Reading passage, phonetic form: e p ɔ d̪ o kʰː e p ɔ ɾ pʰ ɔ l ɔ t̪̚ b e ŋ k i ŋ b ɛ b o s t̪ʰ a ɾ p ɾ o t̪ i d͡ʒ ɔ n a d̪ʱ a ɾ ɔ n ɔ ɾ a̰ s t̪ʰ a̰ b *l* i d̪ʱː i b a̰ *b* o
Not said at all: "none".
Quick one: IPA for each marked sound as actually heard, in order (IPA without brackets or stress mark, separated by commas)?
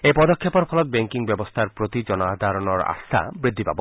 ɾ, b